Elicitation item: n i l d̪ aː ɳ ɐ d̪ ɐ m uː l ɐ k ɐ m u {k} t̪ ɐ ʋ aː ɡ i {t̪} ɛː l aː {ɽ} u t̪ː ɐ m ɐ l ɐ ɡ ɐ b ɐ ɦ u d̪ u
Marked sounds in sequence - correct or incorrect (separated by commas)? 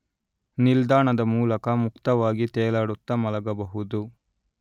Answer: correct, correct, correct